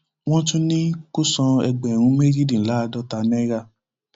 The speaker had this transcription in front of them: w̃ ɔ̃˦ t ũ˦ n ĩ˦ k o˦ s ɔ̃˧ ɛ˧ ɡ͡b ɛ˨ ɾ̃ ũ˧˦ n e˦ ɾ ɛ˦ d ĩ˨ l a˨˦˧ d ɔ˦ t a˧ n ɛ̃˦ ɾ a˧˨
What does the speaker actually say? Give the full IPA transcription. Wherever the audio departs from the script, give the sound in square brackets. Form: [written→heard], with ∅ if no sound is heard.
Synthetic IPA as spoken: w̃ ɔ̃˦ t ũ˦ n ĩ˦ k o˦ s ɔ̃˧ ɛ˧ ɡ͡b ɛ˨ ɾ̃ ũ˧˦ [n→m] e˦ ɾ [ɛ˦→i˦] d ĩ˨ l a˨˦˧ d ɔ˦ t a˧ n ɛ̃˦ ɾ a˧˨